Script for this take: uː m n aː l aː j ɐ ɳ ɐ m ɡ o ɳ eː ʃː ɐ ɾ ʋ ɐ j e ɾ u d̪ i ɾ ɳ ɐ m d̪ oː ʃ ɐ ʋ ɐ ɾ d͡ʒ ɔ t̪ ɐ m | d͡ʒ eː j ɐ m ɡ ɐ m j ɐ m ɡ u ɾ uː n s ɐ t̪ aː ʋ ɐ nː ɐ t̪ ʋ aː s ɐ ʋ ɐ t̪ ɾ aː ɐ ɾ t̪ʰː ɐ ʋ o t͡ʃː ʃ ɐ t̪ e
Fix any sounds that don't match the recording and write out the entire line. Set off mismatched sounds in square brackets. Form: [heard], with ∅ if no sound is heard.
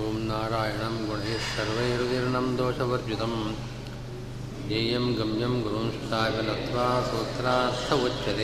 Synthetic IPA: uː m n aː [ɾ] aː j ɐ ɳ ɐ m ɡ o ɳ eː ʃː ɐ ɾ ʋ ɐ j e ɾ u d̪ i ɾ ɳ ɐ m d̪ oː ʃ ɐ ʋ ɐ ɾ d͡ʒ [u] t̪ ɐ m | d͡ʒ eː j ɐ m ɡ ɐ m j ɐ m ɡ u ɾ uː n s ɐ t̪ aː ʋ ɐ [n] ɐ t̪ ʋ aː s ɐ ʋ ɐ t̪ ɾ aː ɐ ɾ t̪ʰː ɐ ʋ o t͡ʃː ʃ ɐ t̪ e